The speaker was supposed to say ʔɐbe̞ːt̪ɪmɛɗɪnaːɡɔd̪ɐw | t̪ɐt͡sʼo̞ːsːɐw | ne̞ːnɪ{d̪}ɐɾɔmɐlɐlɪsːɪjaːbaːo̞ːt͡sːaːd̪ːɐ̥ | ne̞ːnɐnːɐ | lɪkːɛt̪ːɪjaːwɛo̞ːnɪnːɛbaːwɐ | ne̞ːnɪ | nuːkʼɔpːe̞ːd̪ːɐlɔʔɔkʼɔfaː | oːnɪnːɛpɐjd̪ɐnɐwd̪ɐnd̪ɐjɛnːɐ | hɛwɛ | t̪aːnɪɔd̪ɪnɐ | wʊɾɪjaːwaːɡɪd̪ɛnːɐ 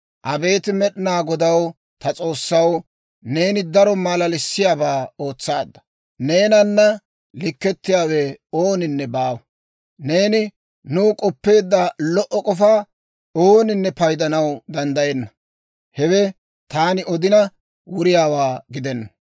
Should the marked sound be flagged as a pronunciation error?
no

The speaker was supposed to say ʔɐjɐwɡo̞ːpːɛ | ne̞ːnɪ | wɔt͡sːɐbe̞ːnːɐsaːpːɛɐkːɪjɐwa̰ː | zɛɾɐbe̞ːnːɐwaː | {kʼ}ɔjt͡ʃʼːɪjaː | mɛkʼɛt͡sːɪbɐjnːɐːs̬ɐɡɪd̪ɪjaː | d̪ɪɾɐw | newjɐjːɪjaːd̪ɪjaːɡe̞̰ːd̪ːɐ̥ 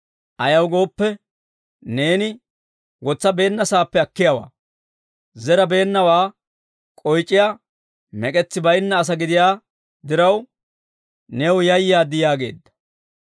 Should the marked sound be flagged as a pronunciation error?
no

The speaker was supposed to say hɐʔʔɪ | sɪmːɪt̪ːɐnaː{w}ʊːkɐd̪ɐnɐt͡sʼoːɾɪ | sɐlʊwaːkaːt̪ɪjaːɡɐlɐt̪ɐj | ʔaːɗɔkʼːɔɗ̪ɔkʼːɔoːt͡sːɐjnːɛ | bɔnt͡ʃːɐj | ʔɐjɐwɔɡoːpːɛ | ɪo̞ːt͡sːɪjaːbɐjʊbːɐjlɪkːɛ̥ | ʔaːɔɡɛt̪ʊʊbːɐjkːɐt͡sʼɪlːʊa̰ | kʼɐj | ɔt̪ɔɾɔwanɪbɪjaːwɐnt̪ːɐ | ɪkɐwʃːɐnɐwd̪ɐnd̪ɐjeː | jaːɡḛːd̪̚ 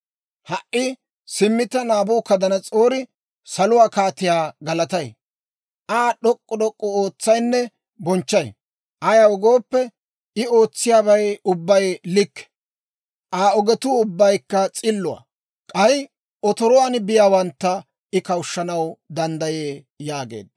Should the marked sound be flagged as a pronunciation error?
yes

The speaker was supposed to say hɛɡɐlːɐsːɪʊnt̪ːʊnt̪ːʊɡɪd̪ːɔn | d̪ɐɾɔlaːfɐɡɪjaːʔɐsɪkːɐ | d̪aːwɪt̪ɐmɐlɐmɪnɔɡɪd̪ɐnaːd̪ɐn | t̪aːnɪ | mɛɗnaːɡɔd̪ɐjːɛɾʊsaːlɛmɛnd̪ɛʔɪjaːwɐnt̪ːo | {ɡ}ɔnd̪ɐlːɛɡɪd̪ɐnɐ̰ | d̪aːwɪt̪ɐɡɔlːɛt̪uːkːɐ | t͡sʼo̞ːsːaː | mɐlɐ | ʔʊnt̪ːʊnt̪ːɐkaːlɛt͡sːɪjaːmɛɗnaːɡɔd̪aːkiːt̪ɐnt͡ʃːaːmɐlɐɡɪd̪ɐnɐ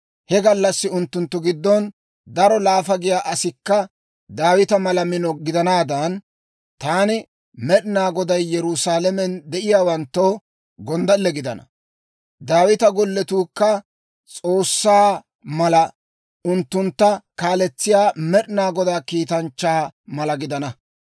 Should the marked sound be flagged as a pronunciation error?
no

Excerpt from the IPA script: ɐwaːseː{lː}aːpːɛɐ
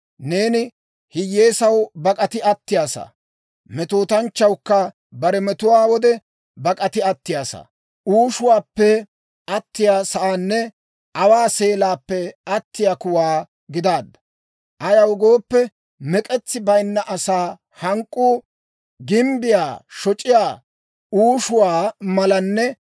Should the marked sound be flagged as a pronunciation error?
yes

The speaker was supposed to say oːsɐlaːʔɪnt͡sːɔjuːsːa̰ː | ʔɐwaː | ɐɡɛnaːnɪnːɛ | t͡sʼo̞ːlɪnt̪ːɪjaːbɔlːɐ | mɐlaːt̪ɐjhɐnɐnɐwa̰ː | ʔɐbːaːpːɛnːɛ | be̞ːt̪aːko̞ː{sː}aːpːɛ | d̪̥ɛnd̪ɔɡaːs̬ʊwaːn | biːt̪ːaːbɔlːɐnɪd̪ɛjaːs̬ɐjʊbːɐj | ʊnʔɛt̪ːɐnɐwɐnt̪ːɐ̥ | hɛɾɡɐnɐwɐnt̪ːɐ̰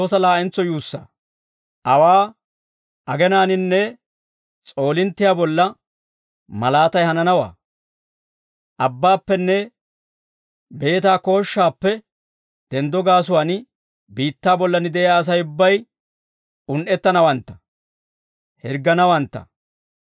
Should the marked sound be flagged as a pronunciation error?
yes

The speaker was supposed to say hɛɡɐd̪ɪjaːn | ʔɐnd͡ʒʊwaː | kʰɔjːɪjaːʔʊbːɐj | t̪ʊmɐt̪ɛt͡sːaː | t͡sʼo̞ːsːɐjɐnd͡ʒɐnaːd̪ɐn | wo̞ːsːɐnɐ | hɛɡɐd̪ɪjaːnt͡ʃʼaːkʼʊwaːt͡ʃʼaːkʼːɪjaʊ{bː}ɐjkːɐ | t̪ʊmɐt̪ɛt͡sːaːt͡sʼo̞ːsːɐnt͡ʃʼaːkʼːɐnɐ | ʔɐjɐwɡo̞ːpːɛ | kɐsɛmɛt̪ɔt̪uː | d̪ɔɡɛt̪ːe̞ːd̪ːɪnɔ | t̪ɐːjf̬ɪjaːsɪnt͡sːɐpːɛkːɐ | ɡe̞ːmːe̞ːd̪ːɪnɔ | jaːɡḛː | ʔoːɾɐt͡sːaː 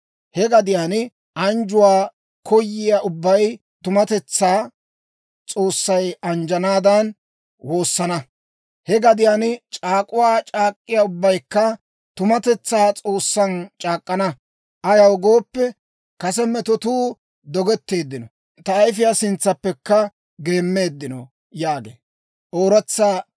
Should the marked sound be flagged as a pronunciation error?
no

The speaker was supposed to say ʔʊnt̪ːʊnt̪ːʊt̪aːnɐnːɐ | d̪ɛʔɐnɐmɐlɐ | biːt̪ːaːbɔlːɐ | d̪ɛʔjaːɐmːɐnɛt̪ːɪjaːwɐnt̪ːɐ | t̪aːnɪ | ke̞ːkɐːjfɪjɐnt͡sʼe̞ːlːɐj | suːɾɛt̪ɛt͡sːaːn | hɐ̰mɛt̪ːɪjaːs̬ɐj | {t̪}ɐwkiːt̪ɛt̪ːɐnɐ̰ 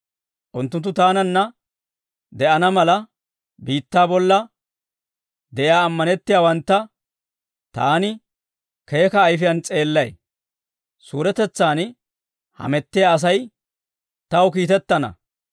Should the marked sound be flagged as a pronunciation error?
no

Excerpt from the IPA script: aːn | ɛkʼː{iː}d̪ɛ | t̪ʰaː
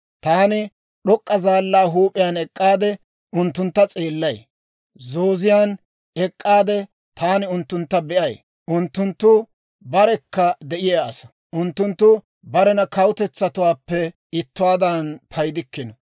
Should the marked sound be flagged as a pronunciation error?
yes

